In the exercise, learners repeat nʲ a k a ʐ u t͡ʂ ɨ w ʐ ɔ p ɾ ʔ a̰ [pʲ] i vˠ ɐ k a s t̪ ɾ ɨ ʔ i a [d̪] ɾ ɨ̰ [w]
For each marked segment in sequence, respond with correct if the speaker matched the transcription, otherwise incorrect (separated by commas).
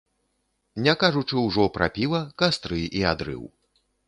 correct, correct, correct